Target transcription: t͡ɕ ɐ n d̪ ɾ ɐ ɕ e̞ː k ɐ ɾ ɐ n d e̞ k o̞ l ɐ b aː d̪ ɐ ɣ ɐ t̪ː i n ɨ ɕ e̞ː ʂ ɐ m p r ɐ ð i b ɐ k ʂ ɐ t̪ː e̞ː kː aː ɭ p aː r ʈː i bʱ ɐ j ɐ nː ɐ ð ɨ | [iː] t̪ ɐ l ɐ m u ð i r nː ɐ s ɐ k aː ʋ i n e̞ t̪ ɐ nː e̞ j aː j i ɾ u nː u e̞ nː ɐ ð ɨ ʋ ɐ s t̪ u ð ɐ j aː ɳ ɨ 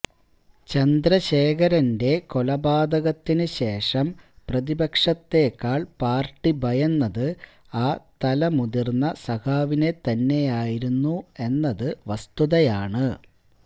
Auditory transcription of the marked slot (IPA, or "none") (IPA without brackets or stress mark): aː